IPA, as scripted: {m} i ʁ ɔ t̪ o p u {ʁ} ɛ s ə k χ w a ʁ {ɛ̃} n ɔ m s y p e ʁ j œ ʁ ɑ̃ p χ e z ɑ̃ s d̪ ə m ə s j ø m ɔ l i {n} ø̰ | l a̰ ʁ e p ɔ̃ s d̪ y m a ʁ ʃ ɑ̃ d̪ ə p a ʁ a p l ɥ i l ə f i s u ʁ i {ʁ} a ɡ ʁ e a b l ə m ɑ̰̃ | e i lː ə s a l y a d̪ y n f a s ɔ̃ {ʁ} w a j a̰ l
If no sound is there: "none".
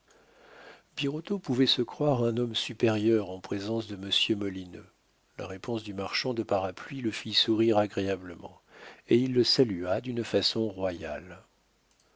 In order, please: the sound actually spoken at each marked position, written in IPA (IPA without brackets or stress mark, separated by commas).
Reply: b, v, ɛ̃, n, ʁ, ʁ